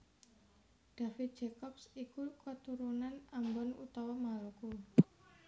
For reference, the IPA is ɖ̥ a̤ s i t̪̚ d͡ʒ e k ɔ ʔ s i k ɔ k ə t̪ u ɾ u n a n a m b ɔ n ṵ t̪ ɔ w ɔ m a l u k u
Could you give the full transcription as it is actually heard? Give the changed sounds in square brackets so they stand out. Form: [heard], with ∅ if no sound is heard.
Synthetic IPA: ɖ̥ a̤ [f] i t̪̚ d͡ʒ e k ɔ [p] s i k [u] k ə t̪ u ɾ u n a n a m b ɔ n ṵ t̪ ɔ w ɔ m a l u k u